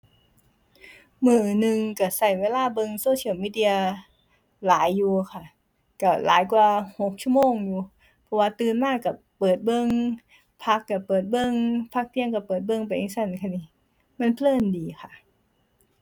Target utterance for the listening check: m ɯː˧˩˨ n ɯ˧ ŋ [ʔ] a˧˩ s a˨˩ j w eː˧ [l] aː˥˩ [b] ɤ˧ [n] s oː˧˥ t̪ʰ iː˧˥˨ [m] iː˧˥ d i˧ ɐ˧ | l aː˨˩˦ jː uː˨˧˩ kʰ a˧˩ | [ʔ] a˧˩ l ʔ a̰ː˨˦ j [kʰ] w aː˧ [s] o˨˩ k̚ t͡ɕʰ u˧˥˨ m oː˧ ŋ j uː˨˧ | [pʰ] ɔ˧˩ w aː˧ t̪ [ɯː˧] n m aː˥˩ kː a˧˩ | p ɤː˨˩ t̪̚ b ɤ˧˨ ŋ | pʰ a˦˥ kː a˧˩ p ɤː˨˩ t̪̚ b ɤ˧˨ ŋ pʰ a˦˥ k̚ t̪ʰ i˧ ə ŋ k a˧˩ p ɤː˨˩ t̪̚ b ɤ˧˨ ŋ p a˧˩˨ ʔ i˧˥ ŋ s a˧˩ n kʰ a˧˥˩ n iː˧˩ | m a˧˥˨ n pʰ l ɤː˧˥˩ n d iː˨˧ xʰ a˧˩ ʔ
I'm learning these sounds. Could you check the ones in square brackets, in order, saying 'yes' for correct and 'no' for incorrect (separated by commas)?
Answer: no, yes, yes, no, yes, no, no, no, yes, yes